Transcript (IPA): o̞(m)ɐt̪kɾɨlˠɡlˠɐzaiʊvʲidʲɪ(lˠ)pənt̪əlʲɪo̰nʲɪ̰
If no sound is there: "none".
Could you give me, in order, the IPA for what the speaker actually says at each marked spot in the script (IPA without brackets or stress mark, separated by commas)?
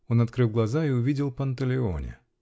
n, lˠ